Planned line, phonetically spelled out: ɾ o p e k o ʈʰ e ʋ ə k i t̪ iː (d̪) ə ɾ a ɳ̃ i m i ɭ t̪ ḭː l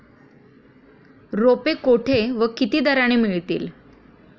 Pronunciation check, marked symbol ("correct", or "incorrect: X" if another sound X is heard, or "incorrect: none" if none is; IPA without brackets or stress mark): correct